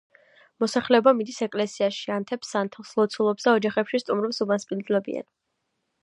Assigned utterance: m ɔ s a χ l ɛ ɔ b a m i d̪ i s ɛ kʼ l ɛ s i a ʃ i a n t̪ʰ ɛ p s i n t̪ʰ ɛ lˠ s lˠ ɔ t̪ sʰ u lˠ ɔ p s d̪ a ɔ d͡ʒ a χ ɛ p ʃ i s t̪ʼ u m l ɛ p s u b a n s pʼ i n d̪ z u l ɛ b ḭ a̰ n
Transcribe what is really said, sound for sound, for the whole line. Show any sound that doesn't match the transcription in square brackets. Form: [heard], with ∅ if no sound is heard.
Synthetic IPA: m ɔ s a χ l ɛ ɔ b a m i d̪ i s ɛ kʼ l ɛ s i a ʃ i a n t̪ʰ ɛ p s [a] n t̪ʰ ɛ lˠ s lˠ ɔ t̪ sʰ u lˠ ɔ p s d̪ a ɔ d͡ʒ a χ ɛ p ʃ i s t̪ʼ u m [ɾ] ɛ p s u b a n s pʼ i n d̪ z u l ɛ b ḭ a̰ n